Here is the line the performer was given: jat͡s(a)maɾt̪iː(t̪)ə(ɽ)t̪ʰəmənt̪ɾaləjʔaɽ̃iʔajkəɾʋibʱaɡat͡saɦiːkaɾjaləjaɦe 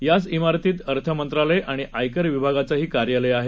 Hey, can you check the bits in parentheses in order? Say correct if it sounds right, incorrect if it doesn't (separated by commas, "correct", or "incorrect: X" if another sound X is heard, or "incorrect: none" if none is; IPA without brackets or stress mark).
incorrect: i, correct, incorrect: ɾ